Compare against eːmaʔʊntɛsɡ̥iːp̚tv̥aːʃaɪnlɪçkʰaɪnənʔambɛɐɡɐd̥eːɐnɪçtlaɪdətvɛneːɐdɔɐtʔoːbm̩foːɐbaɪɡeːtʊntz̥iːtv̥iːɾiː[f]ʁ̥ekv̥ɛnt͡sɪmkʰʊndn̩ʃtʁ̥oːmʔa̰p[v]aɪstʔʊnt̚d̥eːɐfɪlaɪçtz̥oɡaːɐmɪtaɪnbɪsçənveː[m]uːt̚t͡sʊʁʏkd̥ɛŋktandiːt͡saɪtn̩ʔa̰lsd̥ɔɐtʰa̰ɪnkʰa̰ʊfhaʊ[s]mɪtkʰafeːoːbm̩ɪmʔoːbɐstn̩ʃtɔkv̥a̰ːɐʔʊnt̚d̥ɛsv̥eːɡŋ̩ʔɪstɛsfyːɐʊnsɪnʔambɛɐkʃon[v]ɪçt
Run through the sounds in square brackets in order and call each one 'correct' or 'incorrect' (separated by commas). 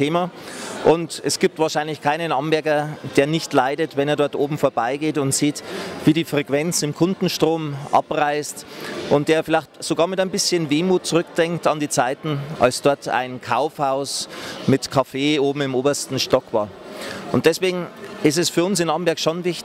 correct, incorrect, correct, correct, correct